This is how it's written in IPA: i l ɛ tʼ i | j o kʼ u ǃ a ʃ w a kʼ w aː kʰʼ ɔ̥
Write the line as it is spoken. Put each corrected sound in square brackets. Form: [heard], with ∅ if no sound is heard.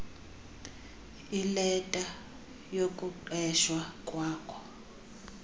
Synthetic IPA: i l ɛ tʼ [a] | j o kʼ u ǃ [ɛ] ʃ w a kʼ w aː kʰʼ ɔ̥